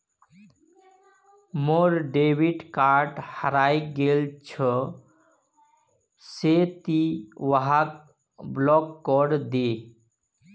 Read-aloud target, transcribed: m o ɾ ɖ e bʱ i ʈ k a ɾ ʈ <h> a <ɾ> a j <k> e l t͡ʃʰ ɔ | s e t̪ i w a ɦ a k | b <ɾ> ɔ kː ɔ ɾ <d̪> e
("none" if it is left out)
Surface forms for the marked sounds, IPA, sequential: h, ɾ, ɡ, l, d̪

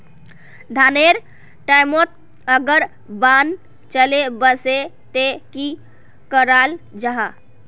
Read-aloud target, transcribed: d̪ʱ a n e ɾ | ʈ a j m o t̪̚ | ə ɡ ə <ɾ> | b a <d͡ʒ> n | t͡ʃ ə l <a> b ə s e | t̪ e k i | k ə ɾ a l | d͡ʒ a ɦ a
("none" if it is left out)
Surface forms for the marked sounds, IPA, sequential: ɾ, none, e

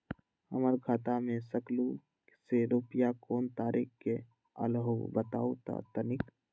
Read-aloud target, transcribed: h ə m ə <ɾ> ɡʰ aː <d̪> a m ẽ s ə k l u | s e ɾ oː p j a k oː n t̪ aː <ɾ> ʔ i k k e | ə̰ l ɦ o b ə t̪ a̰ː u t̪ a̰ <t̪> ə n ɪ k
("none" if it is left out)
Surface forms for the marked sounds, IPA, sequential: ɾ, t̪, ɾ, t̪

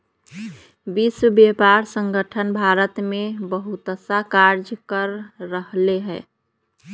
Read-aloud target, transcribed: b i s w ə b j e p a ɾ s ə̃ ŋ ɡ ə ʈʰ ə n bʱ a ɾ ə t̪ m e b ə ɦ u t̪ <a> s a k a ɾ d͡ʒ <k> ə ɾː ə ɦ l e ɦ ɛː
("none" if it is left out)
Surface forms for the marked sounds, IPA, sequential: ə, k

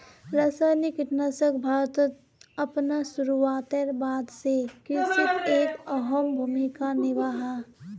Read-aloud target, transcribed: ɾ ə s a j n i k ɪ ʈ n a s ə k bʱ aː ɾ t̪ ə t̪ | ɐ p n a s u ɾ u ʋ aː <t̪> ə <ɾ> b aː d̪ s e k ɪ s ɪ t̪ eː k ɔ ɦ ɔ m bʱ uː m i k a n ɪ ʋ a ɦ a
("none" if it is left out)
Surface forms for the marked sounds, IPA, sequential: t̪, ɾ

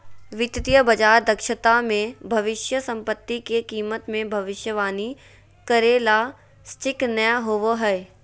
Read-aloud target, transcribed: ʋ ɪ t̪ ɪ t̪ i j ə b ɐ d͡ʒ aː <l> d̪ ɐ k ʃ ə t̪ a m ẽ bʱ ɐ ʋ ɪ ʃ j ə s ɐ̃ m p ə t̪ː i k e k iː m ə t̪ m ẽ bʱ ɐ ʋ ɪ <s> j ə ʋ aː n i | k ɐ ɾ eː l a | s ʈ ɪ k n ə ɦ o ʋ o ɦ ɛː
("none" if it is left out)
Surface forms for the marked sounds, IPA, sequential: ɾ, ʃ

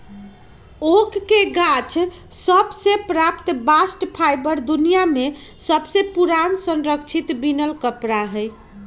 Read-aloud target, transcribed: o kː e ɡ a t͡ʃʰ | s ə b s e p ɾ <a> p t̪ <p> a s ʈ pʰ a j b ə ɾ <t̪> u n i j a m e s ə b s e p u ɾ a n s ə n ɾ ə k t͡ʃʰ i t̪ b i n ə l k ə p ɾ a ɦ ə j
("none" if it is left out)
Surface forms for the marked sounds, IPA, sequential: a, b, d̪

